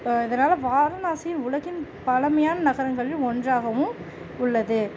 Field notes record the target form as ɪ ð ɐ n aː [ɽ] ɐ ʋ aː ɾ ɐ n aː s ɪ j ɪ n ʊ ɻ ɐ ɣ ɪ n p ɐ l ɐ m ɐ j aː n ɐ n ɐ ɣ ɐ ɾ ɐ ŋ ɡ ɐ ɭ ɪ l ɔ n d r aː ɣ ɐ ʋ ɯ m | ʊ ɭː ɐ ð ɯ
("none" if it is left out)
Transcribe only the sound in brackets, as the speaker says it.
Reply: l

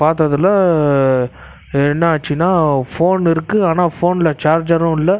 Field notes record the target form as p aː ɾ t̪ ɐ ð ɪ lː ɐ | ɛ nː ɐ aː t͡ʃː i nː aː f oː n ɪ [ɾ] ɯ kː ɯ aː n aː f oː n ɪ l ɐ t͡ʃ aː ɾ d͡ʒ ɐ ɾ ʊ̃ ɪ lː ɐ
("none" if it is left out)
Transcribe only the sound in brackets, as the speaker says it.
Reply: ɾ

